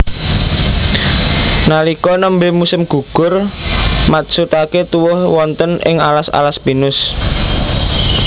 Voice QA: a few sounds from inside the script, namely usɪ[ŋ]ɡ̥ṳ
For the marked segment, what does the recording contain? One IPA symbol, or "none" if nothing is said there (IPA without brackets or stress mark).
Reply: m